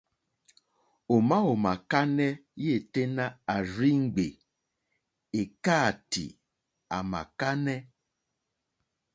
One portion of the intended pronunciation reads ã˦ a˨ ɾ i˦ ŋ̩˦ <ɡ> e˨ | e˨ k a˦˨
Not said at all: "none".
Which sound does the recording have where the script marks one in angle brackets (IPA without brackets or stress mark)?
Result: ɡ͡b